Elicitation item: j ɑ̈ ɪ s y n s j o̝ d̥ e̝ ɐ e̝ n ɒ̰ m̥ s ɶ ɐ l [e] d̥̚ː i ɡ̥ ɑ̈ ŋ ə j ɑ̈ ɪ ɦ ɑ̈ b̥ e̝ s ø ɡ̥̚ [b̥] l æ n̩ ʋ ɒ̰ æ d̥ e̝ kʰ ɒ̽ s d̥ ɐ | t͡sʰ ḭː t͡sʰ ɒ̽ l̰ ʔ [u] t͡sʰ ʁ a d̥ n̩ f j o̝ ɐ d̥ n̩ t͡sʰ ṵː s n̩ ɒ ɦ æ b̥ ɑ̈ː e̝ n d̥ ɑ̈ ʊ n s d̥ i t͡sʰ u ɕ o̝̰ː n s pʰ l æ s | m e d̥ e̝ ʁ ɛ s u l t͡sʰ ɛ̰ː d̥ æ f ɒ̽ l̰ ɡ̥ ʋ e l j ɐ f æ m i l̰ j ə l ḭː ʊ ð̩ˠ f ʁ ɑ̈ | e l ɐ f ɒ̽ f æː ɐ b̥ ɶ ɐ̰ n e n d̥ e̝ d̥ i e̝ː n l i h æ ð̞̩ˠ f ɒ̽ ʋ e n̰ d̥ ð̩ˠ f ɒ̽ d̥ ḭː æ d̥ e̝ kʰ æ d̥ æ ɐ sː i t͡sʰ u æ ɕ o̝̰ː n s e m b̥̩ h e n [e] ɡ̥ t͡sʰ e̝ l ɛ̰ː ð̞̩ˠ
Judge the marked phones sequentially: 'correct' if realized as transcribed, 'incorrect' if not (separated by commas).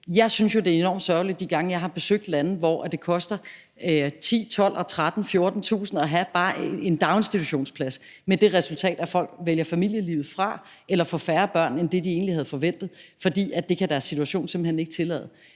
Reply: incorrect, incorrect, incorrect, correct